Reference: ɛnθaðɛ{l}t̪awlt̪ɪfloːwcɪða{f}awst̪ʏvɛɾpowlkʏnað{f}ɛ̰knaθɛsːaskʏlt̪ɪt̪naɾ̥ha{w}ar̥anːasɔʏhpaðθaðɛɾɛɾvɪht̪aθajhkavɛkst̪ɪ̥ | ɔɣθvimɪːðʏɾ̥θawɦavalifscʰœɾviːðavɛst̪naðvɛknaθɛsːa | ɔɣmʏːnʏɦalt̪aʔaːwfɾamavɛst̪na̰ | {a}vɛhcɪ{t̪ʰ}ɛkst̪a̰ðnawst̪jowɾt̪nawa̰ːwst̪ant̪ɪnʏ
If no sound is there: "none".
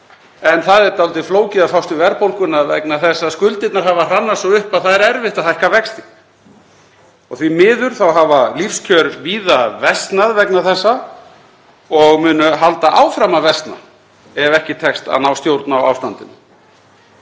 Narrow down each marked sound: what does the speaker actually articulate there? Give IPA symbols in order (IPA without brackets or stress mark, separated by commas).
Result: ɾ, f, v, v, ɛ, t̪ʰ